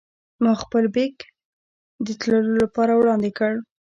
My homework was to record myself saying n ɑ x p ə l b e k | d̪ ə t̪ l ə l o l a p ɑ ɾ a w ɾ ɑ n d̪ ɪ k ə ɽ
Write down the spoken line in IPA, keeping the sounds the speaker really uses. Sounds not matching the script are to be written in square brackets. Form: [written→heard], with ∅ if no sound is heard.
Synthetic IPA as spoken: [n→m] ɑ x p ə l b e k | d̪ ə t̪ l ə l o l a p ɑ ɾ a w [ɾ→ɽ] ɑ n d̪ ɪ k ə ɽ